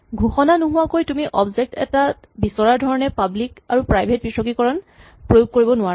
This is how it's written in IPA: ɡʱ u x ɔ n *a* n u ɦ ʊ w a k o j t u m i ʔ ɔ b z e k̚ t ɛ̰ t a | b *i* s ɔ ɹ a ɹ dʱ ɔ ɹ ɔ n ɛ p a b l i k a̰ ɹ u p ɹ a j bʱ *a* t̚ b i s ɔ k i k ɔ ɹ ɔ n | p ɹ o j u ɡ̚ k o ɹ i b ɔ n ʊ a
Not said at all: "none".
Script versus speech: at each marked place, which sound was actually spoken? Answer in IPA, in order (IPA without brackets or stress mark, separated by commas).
a, i, e